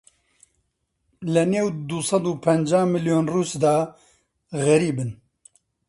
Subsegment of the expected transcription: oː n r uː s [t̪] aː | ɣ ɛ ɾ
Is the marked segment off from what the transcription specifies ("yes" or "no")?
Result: yes